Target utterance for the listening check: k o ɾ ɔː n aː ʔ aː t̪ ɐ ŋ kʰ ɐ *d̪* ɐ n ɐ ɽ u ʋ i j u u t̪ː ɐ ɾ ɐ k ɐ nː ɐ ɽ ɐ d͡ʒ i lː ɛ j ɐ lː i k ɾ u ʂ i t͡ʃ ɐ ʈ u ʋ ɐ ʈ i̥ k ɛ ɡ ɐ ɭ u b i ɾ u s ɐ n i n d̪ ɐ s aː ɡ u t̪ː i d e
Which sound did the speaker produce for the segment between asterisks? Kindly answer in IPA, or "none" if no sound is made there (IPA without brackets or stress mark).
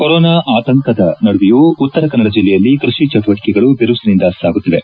d̪